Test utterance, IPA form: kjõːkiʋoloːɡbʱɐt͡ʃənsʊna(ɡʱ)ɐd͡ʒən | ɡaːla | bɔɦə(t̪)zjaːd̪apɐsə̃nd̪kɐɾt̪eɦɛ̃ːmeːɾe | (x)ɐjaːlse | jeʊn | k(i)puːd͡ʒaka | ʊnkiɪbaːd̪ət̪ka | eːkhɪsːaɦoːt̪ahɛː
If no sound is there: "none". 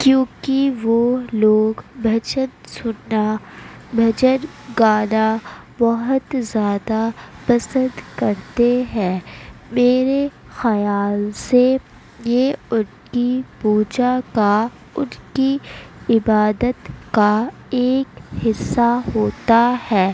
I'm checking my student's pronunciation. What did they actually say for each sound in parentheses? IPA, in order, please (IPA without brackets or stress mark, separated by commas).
bʱ, t̪, x, i